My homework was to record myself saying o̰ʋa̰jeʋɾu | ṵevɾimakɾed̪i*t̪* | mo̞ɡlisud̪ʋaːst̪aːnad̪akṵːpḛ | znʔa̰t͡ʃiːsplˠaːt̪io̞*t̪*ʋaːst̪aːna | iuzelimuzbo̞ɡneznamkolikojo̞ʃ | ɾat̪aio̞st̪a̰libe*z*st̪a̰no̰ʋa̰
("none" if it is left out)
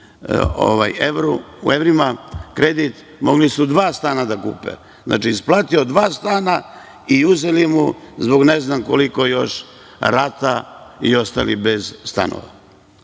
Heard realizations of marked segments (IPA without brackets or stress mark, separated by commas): t̪, d̪, z